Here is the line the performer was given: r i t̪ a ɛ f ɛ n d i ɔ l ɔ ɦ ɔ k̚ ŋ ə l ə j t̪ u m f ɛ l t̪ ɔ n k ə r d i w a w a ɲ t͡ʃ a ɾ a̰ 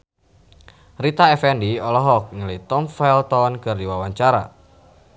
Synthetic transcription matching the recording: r i t̪ a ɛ f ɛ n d i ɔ l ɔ ɦ ɔ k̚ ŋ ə l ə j t̪ ɔ m f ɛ l t̪ ɔ n k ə r d i w a w a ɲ t͡ʃ a ɾ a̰